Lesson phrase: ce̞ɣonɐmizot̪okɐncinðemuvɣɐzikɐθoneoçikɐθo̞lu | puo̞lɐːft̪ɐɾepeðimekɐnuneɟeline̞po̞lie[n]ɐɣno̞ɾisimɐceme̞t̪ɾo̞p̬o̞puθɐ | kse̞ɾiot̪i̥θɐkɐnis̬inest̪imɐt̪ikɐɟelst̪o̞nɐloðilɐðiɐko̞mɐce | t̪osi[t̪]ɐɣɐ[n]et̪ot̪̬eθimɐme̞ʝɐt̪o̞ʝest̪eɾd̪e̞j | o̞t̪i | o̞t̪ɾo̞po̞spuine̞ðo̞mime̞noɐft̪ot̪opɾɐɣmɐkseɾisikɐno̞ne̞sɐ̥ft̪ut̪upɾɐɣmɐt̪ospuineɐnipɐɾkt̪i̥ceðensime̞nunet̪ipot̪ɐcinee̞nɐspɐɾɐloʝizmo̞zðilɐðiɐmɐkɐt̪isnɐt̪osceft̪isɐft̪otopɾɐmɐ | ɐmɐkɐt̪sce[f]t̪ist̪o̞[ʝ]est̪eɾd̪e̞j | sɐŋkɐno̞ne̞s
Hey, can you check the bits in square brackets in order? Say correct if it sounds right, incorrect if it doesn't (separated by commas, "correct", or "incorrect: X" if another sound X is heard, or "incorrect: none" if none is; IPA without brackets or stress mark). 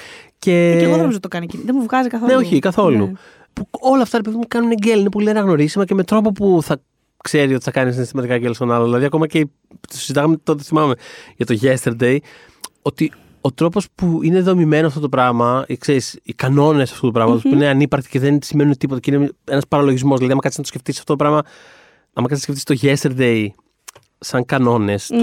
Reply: correct, incorrect: d̪, incorrect: m, correct, correct